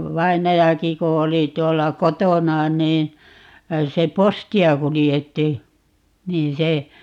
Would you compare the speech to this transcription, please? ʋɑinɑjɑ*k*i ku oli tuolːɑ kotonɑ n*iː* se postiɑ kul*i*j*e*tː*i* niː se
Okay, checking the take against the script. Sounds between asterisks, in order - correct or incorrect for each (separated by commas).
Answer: correct, correct, correct, correct, correct